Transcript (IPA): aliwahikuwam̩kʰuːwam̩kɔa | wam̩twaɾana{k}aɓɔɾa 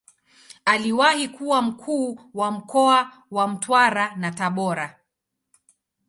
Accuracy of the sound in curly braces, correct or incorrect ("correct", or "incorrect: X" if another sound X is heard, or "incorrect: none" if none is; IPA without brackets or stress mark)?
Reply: incorrect: t